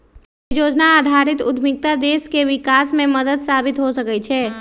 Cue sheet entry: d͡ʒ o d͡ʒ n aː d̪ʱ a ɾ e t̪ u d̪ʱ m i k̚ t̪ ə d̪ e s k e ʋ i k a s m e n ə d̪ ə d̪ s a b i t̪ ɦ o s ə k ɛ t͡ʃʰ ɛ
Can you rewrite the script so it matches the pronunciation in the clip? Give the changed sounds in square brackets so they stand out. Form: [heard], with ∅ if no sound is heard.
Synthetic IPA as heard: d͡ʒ o d͡ʒ n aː d̪ʱ a ɾ [i] t̪ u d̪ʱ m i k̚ t̪ [a] d̪ e s k e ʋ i k a s m e [m] ə d̪ ə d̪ s a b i t̪ ɦ o s ə k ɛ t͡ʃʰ ɛ